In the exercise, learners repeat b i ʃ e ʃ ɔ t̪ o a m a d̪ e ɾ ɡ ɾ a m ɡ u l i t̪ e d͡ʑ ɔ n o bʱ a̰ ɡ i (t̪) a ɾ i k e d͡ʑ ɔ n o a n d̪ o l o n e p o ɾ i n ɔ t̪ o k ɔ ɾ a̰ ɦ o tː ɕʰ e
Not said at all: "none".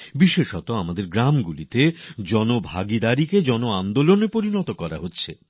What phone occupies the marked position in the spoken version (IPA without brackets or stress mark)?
d̪